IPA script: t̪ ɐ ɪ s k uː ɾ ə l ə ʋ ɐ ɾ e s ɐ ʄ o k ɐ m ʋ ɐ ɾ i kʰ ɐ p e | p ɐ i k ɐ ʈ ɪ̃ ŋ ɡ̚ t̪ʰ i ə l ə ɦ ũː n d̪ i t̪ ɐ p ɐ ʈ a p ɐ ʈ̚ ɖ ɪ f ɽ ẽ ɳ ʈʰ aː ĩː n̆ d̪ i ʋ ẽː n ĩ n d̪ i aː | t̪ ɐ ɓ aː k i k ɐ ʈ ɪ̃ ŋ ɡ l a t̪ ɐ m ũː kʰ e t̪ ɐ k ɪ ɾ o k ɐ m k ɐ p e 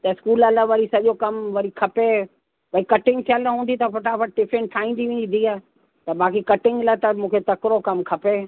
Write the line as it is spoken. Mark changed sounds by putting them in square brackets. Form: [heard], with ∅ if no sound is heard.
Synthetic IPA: t̪ ɐ ɪ s k uː [l] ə l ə ʋ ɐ ɾ [i] s ɐ ʄ o k ɐ m ʋ ɐ ɾ i kʰ ɐ p e | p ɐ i k ɐ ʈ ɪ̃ ŋ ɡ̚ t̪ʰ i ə l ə ɦ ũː n d̪ i t̪ ɐ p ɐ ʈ a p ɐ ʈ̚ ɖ ɪ f [ɾ] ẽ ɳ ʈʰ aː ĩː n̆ d̪ i ʋ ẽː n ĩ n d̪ i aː | t̪ ɐ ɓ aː k i k ɐ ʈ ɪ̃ ŋ ɡ l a t̪ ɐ m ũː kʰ e t̪ ɐ k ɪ ɾ o k ɐ m [kʰ] ɐ p e